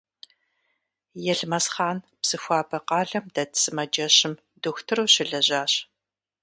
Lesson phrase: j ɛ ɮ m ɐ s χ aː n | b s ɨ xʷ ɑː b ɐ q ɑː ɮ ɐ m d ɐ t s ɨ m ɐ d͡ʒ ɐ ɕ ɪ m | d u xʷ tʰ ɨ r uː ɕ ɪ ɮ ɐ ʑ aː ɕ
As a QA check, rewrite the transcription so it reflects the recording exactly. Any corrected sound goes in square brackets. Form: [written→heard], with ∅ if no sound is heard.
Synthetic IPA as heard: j ɛ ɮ m ɐ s χ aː n | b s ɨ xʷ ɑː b ɐ q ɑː ɮ ɐ m d ɐ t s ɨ m ɐ d͡ʒ ɐ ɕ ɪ m | d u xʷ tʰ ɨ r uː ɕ ɪ ɮ ɐ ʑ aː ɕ